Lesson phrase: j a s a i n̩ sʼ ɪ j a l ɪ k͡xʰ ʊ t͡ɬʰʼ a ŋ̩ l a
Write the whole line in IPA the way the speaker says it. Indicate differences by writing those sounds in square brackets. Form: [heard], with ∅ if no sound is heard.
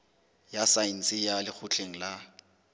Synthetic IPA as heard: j a s a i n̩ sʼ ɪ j a l ɪ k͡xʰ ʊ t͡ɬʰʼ [e] ŋ̩ l a

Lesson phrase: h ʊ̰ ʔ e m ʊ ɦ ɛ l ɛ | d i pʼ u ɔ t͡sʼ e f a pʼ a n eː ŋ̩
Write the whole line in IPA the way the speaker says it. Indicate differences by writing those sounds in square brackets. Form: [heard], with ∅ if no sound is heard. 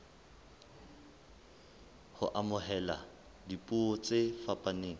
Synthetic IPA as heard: h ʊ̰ ʔ [a] m ʊ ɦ ɛ l [a] | d i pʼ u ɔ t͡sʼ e f a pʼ a n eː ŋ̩

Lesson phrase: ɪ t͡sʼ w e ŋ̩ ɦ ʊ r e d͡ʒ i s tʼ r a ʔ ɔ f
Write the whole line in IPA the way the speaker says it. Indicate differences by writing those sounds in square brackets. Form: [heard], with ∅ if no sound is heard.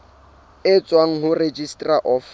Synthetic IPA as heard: ɪ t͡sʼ w [a] ŋ̩ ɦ ʊ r e d͡ʒ i s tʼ r a ʔ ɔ f

